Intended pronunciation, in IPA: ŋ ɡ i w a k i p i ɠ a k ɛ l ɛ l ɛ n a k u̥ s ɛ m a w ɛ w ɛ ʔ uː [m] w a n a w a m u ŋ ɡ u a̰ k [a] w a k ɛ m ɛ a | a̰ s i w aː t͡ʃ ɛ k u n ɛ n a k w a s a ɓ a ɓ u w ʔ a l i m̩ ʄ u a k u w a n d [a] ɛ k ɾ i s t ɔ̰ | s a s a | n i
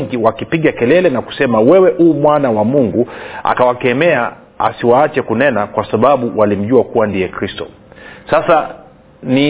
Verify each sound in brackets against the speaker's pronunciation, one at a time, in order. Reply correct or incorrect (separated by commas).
correct, correct, incorrect